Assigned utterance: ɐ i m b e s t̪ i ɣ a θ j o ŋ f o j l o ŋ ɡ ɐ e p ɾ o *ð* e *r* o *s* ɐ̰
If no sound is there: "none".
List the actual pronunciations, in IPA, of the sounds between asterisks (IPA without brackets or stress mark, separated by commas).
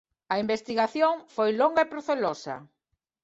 θ, l, s